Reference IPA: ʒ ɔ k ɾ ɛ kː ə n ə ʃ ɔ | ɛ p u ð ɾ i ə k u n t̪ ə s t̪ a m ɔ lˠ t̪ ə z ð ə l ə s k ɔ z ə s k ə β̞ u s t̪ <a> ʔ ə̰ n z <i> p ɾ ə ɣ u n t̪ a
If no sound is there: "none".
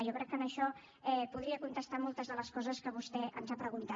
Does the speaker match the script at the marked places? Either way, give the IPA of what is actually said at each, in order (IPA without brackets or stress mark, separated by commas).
ɛ, a